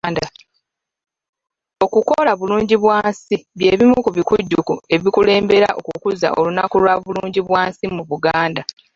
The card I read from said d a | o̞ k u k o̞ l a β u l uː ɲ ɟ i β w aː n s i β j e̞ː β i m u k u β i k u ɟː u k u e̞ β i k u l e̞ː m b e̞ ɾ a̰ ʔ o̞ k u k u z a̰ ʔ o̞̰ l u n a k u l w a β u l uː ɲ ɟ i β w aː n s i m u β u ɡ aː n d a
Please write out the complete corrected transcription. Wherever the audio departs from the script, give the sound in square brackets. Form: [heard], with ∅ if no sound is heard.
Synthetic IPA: d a | o̞ k u k o̞ l a β u l uː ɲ ɟ i β w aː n s i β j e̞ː β i m u k u β i k u ɟː u k u e̞ β i k u l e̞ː m b e̞ ɾ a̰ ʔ o̞ k u k u z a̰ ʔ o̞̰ l u n a k u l w a β u l uː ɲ ɟ i β w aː n s i m u β u ɡ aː n d a